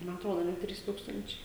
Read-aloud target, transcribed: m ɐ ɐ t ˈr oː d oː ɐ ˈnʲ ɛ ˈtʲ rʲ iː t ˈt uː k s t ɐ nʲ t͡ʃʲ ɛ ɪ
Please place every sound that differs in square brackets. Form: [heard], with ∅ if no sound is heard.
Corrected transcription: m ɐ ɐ t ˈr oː d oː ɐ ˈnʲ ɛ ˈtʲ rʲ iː [s] ˈt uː k s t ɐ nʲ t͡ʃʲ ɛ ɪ